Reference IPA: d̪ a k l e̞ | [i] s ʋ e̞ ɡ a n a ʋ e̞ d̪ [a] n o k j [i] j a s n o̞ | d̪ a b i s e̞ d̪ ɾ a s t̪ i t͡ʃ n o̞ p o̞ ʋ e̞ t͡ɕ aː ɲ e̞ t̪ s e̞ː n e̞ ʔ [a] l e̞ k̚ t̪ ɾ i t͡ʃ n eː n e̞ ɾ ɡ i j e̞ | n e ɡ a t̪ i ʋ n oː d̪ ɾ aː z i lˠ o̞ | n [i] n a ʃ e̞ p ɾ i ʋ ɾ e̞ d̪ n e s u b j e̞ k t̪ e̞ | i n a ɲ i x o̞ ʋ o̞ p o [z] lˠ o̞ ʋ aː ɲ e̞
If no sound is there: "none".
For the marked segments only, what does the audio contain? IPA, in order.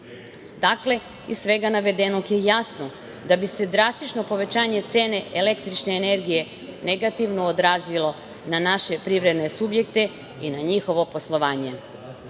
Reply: i, e, e, e, a, s

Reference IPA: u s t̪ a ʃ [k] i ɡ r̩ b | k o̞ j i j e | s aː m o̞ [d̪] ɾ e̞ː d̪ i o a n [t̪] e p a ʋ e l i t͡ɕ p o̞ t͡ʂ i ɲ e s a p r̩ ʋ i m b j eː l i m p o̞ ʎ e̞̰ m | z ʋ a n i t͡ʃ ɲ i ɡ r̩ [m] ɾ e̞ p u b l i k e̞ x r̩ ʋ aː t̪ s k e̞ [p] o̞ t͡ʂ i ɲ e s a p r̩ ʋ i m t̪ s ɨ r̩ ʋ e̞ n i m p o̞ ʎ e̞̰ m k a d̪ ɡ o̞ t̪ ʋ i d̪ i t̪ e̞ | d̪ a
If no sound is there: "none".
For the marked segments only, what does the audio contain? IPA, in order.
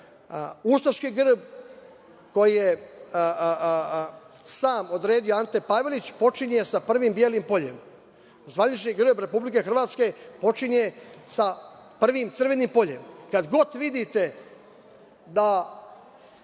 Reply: k, d̪, t̪, b, p

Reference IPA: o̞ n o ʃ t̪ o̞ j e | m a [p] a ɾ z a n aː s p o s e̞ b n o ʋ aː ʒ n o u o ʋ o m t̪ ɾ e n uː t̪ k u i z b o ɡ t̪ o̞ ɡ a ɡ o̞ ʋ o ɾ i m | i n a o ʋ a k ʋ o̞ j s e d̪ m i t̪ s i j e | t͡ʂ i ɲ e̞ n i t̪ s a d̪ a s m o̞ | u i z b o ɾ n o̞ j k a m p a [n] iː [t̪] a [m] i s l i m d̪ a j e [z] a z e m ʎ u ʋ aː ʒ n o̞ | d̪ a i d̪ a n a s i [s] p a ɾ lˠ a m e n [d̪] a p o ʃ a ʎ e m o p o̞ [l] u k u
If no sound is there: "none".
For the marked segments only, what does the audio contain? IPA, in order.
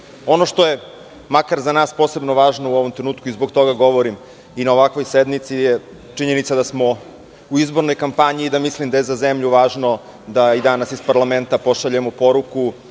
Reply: k, ɲ, d̪, m, z, s, t̪, ɾ

